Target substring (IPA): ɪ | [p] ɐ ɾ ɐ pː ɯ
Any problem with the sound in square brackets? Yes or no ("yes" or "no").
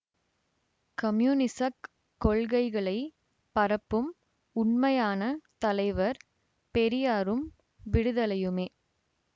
no